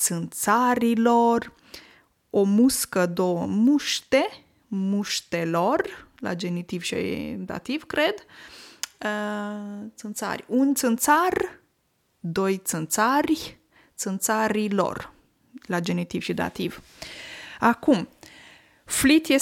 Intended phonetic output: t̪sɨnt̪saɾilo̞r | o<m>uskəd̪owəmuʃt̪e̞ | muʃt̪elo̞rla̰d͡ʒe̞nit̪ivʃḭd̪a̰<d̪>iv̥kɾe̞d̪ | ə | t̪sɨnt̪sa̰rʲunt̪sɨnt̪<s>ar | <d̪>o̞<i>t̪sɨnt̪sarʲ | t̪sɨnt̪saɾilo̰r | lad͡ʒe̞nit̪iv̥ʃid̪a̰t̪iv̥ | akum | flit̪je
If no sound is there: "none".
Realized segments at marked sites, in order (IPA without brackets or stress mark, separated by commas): m, t̪, s, d̪, j